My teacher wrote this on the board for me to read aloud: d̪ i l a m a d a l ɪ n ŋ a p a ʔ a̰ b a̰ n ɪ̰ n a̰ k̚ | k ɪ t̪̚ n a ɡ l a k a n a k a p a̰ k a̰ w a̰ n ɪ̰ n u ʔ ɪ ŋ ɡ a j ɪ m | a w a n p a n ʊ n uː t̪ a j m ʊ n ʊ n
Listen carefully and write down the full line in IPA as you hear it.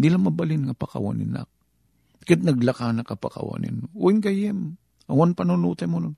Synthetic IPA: d̪ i l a m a b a l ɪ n ŋ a p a k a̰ w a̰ n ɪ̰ n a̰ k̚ | k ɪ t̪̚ n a ɡ l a k a n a k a p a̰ k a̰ w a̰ n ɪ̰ n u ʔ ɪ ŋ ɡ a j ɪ m | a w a n p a n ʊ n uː t̪ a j m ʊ n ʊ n